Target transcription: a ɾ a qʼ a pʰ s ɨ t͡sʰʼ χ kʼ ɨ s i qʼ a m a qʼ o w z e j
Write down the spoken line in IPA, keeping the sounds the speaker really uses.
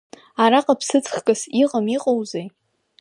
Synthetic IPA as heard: a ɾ a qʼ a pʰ s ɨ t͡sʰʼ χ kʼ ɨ s i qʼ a m i qʼ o w z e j